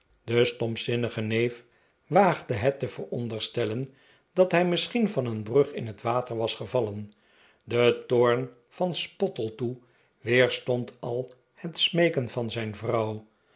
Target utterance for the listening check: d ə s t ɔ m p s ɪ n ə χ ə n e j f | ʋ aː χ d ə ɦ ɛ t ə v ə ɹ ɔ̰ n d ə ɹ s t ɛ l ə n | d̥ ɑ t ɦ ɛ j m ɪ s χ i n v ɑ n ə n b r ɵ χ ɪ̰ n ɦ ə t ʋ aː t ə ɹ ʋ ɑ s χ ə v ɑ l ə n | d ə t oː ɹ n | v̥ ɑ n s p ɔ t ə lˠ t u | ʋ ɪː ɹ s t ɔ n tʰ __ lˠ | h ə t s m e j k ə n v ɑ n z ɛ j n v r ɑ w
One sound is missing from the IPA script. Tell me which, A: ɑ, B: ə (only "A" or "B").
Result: A